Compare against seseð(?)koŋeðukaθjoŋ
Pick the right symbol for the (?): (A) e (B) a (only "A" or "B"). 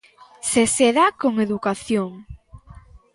B